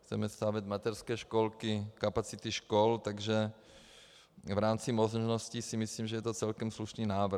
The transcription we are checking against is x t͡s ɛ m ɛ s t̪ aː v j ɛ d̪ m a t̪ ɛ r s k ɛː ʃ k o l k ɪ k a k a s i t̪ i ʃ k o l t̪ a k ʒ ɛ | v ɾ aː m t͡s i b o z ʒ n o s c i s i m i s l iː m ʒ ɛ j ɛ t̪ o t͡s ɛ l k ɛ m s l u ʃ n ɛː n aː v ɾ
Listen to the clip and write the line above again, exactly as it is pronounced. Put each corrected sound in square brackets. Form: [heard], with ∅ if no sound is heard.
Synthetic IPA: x t͡s ɛ m ɛ s t̪ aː v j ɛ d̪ m a t̪ ɛ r s k ɛː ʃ k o l k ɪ k a [p] a [t͡s] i t̪ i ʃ k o l t̪ a [ɡ] ʒ ɛ | v ɾ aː m t͡s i [m] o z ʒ n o s c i s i m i s l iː m ʒ ɛ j ɛ t̪ o t͡s ɛ l k ɛ m s l u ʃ n [iː] n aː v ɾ